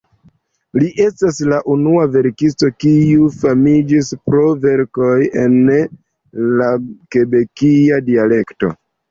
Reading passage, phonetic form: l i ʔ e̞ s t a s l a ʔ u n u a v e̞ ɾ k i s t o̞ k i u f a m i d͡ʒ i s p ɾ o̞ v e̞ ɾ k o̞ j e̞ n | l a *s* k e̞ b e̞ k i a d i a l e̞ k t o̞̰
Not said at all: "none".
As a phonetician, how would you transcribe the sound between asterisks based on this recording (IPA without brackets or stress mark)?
none